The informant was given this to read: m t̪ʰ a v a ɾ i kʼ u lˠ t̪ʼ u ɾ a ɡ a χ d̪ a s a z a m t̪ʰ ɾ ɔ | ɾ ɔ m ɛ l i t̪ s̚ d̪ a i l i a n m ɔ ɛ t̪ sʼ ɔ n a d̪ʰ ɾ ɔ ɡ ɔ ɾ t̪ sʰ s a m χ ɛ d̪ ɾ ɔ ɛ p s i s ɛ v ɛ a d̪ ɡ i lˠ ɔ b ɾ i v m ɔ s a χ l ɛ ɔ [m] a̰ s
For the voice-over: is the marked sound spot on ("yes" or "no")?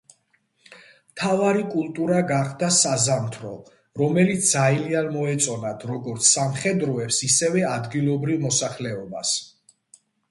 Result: no